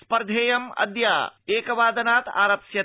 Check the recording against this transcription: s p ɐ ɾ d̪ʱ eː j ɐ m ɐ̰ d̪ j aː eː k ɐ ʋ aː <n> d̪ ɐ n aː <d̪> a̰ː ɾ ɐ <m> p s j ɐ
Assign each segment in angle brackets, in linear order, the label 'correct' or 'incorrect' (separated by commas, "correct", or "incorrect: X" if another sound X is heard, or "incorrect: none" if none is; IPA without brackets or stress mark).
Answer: incorrect: none, incorrect: t̪, incorrect: none